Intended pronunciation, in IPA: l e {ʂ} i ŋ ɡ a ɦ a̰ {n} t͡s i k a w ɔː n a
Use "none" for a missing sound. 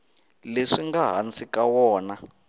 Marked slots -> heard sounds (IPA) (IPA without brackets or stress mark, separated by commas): ʂ, n